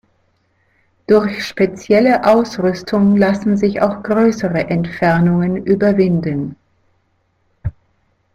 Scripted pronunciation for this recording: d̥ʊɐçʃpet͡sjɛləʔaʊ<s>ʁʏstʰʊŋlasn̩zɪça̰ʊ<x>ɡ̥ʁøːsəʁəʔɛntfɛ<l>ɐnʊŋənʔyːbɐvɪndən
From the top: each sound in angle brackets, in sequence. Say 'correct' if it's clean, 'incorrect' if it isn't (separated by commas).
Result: correct, correct, incorrect